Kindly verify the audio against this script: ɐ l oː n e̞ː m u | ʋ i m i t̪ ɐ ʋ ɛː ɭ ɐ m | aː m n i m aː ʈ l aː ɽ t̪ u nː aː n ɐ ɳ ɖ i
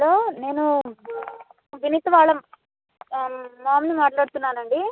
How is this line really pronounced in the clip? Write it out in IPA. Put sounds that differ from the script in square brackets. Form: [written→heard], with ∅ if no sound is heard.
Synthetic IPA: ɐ l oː n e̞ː [m→n] u | ʋ i [m→n] i t̪ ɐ ʋ [ɛː→aː] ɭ ɐ m | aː m n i m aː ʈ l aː ɽ t̪ u nː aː n ɐ ɳ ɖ i